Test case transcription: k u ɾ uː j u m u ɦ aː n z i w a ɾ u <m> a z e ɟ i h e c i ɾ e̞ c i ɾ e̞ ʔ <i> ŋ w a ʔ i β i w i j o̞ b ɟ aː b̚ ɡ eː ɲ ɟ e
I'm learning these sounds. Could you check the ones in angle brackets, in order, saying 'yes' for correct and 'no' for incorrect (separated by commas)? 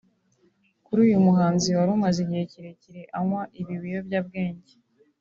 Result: yes, no